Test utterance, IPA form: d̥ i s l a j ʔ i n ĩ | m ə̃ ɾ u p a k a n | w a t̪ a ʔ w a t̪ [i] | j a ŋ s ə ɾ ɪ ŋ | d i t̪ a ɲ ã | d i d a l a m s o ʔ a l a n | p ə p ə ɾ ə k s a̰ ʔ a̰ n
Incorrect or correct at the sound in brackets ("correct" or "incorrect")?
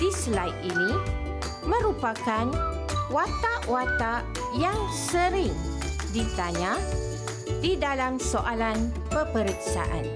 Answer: incorrect